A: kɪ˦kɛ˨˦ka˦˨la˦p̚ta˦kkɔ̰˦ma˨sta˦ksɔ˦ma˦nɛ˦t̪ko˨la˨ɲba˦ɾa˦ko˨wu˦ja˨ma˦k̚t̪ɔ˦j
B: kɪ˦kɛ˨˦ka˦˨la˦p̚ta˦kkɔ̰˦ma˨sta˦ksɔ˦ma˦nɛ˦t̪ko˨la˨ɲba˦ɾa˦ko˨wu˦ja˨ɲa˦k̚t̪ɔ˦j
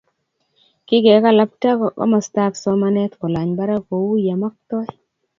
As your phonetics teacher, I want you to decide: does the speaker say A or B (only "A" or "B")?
A